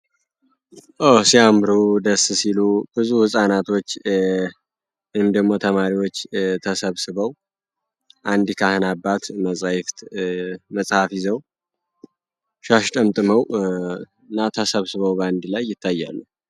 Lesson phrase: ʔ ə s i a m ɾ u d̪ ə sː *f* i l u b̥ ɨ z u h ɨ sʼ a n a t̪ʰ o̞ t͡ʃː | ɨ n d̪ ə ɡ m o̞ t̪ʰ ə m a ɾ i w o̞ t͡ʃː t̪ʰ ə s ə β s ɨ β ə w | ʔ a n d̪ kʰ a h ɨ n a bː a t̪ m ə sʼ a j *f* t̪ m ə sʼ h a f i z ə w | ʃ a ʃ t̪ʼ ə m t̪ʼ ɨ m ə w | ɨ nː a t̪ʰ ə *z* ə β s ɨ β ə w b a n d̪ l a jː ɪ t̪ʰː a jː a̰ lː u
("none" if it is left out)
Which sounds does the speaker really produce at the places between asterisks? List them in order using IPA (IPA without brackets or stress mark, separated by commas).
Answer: s, f, s